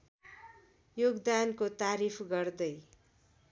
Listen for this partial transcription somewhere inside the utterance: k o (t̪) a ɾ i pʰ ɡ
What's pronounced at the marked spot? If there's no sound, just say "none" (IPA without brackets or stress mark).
t̪